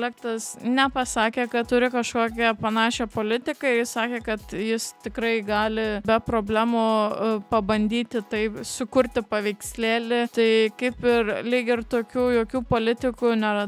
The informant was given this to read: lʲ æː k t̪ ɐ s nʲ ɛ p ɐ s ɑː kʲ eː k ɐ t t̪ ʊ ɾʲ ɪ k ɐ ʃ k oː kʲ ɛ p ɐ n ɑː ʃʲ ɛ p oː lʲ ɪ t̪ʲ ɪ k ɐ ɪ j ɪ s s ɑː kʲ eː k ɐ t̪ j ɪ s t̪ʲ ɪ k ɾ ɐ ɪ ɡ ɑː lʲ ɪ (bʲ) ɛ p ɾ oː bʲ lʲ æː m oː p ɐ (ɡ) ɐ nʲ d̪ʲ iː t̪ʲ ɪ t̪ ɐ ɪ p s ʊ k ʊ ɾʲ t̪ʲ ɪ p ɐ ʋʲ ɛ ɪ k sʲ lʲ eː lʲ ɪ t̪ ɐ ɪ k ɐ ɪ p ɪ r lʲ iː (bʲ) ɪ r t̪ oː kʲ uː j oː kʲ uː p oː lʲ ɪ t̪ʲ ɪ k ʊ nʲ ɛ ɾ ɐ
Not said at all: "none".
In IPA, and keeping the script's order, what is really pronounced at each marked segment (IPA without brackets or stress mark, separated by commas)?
bʲ, b, ɡʲ